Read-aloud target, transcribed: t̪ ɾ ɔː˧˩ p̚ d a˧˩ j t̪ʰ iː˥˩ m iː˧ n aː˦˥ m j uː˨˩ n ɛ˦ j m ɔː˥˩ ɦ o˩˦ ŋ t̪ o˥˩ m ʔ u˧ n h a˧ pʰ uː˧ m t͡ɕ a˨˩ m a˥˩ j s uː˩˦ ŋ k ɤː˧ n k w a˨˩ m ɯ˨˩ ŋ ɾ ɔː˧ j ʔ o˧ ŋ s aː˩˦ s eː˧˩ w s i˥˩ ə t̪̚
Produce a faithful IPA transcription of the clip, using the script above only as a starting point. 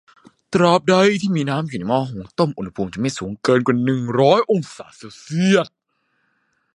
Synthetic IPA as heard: t̪ ɾ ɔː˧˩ p̚ d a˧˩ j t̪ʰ iː˥˩ m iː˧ n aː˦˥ m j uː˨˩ n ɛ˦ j m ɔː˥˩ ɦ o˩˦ ŋ t̪ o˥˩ m ʔ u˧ n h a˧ pʰ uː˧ m t͡ɕ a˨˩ m a˥˩ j s uː˩˦ ŋ k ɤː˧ n k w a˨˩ n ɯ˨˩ ŋ ɾ ɔː˦˥ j ʔ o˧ ŋ s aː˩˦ s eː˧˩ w s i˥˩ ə t̪̚